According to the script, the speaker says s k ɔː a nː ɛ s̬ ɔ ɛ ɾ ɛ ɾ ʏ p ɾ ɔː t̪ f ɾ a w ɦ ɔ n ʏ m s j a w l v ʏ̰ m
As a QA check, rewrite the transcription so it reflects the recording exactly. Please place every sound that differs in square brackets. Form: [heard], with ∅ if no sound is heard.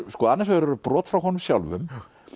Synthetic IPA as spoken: s k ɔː a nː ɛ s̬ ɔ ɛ ɾ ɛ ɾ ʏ p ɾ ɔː t̪ f ɾ a w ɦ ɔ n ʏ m s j a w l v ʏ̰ m